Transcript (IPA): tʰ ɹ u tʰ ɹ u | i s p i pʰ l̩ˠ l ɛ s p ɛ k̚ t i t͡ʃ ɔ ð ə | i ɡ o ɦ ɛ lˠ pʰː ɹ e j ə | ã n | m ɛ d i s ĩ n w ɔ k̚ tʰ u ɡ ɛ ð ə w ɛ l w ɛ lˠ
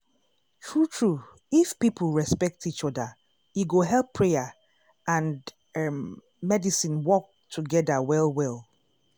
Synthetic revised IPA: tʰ ɹ u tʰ ɹ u | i f p i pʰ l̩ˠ ɹ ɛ s p ɛ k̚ t i t͡ʃ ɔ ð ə | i ɡ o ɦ ɛ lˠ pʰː ɹ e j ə | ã n | m ɛ d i s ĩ n w ɔ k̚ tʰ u ɡ ɛ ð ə w ɛ l w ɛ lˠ

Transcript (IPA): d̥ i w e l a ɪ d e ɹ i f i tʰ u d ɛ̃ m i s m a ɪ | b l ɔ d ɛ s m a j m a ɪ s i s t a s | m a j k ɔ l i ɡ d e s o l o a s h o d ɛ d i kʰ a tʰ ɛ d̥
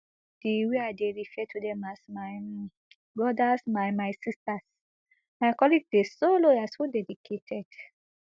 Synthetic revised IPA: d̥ i w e a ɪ d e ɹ i f ɛ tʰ u d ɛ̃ m a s m a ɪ | b ɹ ɔ d a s m a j m a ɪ s i s t a s | m a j k ɔ l i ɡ d e s o l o a s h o d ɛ d i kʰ e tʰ ɛ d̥

